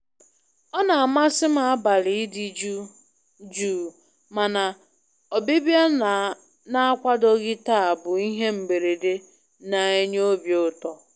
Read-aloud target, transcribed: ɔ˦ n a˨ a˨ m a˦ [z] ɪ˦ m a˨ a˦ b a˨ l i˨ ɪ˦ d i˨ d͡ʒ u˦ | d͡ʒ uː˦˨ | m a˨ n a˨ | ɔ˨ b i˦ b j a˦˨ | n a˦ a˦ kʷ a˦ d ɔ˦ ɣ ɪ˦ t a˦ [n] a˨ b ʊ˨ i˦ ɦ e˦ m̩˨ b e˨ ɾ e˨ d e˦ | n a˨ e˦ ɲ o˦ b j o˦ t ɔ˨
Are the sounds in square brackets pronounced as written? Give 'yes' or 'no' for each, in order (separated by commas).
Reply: no, no